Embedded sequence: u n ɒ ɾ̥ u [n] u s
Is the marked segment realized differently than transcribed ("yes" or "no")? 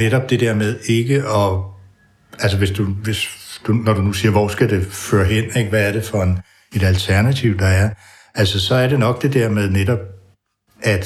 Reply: no